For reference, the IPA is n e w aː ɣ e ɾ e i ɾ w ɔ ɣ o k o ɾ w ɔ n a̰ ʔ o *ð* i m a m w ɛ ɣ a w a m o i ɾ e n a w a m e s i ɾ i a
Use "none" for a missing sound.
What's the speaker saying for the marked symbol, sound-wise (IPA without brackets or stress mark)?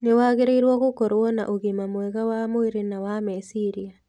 ɣ